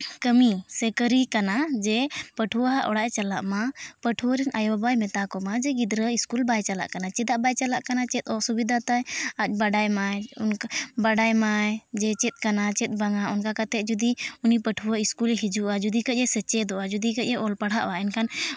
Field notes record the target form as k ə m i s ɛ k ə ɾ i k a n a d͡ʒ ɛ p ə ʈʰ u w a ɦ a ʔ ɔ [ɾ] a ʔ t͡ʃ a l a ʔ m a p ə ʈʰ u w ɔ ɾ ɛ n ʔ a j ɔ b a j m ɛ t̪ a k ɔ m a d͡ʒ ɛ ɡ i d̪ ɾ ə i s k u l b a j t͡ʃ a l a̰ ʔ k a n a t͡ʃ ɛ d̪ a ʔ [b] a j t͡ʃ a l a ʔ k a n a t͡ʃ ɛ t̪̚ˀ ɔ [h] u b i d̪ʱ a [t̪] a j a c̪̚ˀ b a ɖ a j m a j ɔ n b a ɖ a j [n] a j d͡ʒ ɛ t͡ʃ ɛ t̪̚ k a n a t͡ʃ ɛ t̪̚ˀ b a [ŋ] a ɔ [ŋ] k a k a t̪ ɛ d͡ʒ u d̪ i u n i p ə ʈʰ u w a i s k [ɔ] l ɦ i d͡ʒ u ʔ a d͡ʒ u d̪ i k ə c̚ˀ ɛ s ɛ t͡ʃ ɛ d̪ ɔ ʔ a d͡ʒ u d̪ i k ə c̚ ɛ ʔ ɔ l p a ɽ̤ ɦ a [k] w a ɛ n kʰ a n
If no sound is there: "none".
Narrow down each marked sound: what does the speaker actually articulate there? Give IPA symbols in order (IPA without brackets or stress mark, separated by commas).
ɽ, b, s, t̪, m, ŋ, n, u, ʔ